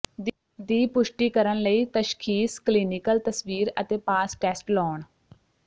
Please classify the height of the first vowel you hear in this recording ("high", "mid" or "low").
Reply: high